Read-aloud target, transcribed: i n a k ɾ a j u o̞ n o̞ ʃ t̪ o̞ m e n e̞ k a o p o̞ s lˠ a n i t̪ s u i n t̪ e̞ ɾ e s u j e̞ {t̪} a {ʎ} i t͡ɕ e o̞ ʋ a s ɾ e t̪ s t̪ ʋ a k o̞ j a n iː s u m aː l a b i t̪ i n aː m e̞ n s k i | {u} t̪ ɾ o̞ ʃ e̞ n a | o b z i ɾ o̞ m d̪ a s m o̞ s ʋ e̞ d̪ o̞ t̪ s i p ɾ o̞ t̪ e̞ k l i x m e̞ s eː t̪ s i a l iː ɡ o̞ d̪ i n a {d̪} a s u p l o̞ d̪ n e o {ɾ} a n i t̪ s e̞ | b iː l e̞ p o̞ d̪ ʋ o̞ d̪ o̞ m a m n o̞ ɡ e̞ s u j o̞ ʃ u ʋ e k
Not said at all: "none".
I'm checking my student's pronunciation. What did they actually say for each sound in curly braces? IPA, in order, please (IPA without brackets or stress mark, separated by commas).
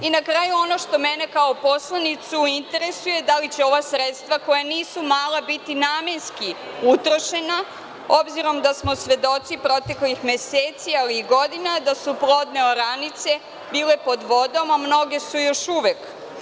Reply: d̪, l, u, d̪, ɾ